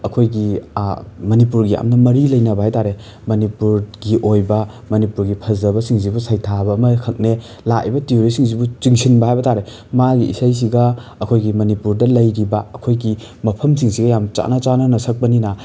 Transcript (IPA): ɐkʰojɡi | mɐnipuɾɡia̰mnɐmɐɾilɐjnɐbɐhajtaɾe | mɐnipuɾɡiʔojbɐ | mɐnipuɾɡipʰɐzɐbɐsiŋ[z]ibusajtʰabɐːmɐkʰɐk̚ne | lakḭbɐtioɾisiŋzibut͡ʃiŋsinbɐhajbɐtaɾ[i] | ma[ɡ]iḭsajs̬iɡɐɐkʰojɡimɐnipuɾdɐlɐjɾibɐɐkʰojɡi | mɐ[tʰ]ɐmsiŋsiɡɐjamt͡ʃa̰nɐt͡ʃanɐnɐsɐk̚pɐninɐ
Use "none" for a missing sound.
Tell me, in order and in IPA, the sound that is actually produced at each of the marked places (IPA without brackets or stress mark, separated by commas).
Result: z, e, ɡ, pʰ